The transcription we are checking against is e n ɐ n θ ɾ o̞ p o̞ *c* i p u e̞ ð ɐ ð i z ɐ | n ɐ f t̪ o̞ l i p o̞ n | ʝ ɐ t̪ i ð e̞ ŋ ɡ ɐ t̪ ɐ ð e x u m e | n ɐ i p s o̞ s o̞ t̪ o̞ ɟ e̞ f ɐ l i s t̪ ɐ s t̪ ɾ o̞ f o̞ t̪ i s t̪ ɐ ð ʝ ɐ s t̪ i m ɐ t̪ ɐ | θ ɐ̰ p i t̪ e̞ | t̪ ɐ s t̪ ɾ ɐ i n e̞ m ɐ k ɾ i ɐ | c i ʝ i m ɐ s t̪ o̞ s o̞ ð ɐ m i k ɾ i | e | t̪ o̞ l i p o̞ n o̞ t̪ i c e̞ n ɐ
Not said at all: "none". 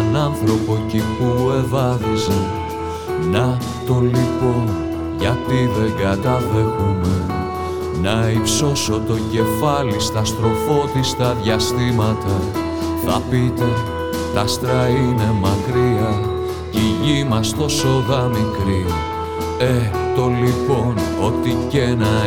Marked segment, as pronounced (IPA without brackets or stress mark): c